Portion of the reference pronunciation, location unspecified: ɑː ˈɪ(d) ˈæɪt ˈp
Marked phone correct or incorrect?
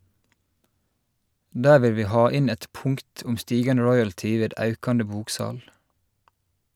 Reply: incorrect